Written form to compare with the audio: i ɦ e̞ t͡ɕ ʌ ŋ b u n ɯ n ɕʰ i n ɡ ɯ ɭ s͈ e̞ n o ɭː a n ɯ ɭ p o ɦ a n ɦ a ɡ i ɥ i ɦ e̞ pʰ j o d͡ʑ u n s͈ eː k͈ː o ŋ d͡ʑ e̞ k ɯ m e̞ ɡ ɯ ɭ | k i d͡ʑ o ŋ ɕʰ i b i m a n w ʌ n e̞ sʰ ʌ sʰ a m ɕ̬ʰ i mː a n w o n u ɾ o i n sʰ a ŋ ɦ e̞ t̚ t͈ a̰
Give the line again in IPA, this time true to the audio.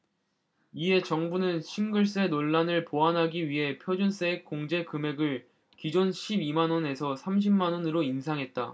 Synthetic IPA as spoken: i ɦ e̞ t͡ɕ ʌ ŋ b u n ɯ n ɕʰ i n ɡ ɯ ɭ s͈ e̞ n o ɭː a n ɯ ɭ p o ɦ a n ɦ a ɡ i ɥ i ɦ e̞ pʰ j o d͡ʑ u n s͈ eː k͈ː o ŋ d͡ʑ e̞ k ɯ m e̞ ɡ ɯ ɭ | k i d͡ʑ o n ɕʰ i b i m a n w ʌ n e̞ sʰ ʌ sʰ a m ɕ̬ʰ i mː a n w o n ɯ ɾ o i n sʰ a ŋ ɦ e̞ t̚ t͈ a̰